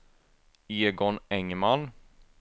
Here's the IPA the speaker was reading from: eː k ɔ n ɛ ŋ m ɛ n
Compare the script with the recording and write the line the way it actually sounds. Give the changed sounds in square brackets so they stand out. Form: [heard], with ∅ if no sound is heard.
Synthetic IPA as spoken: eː [ɡ] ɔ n ɛ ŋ m [a] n